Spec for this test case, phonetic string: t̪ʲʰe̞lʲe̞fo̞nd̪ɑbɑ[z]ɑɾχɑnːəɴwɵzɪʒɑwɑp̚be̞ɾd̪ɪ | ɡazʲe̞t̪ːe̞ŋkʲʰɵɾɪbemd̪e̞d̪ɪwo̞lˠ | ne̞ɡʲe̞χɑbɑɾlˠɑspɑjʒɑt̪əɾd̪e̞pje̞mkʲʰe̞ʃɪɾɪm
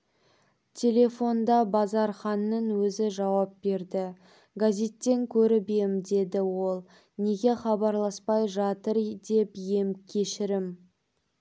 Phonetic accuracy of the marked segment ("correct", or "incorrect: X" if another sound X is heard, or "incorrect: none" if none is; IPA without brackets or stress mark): correct